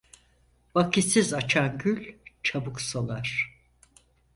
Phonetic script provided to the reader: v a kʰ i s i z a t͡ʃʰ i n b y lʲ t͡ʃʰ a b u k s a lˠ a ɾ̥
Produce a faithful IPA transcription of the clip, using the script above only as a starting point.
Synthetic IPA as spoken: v a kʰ i s i z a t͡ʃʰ a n ɟ y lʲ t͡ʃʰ a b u k s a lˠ a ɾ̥